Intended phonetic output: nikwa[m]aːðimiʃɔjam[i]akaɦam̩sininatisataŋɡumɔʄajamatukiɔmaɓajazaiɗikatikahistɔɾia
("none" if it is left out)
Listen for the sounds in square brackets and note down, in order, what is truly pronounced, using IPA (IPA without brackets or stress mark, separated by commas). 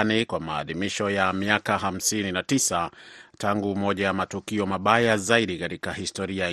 m, i